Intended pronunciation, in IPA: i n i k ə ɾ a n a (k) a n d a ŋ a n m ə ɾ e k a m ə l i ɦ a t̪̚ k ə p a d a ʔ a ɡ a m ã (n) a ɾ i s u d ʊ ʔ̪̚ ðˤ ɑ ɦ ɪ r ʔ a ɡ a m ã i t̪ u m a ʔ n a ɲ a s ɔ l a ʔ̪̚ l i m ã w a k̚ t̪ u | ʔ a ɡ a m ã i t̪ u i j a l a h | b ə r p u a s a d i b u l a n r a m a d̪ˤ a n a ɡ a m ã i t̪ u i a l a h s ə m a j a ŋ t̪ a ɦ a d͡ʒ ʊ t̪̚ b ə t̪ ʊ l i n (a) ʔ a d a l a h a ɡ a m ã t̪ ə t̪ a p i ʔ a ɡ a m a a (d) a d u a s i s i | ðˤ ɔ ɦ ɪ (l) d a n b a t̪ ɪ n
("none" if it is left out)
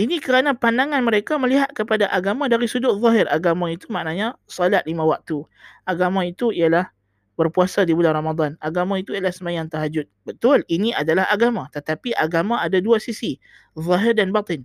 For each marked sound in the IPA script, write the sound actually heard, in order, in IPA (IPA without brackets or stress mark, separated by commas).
p, d, i, d, r